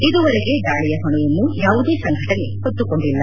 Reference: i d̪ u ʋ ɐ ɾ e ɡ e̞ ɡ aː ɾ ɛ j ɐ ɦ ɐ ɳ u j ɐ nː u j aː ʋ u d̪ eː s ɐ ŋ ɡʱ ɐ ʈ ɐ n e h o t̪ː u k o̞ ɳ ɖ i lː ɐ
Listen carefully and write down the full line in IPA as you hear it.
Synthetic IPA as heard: i d̪ u ʋ ɐ ɾ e ɡ e̞ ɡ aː ɭ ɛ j ɐ ɦ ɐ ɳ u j ɐ nː u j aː ʋ u d̪ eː s ɐ ŋ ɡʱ ɐ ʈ ɐ n e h o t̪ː u k o̞ ɳ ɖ i lː ɐ